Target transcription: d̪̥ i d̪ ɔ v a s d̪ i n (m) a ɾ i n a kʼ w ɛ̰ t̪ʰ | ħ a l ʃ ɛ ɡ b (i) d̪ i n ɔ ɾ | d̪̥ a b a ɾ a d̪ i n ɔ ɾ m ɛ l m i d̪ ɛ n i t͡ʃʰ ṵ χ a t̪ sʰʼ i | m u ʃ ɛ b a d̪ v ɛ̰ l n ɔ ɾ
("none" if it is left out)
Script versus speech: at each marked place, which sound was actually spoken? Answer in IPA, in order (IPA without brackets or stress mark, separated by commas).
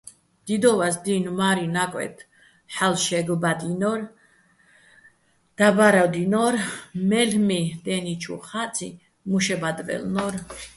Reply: m, a